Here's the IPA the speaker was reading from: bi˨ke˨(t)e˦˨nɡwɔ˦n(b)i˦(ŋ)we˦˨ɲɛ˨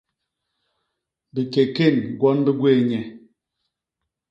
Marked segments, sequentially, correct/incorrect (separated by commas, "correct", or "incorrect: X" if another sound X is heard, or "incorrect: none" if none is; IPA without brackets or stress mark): incorrect: k, correct, incorrect: ɡ